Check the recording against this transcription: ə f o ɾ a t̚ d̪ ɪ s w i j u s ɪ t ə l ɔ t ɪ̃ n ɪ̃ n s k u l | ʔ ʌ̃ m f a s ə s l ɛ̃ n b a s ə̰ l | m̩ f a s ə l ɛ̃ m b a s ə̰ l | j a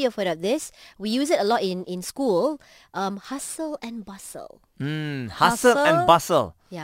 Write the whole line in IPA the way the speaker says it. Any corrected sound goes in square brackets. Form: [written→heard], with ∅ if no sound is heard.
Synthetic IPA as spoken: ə f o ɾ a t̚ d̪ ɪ s w i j u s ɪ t ə l ɔ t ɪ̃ n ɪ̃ n s k u l | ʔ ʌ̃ m [f→h] a s ə [s→∅] l ɛ̃ n b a s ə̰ l | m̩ [f→h] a s ə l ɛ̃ [m→n] b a s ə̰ l | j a